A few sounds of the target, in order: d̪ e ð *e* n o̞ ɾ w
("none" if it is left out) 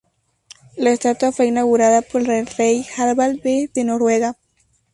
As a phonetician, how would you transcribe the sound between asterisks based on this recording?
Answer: e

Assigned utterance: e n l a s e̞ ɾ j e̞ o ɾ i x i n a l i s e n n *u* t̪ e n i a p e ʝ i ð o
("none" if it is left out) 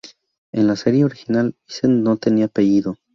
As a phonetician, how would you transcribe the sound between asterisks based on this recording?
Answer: o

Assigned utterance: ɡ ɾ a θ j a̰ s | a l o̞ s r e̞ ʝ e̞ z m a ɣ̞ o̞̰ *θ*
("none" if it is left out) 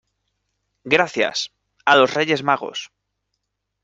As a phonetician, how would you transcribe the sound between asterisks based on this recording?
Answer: s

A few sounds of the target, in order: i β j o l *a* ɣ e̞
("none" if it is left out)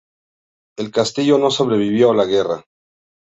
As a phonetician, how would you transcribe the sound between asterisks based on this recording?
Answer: a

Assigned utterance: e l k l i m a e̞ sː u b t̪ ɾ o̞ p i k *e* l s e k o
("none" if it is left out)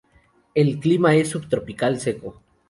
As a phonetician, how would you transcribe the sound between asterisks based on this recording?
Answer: a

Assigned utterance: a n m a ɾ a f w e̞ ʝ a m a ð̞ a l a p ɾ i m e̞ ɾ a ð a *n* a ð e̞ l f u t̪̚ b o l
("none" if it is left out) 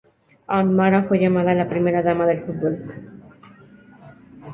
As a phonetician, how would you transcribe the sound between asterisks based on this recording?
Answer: m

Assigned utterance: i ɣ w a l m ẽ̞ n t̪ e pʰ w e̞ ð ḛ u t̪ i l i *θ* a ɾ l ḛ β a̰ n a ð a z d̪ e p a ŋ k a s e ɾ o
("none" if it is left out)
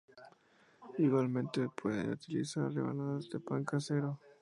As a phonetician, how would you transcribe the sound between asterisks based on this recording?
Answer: s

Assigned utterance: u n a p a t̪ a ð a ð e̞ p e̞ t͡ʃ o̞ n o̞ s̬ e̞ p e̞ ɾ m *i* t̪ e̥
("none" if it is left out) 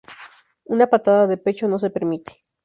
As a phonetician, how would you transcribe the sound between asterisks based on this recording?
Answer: i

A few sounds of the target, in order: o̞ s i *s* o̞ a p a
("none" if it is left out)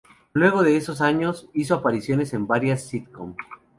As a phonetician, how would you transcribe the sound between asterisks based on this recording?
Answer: s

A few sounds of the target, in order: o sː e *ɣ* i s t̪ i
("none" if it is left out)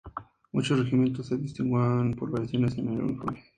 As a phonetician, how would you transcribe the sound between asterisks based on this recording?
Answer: ð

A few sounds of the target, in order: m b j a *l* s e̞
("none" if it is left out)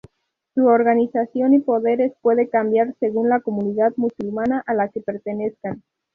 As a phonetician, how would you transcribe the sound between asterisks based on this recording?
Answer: ɾ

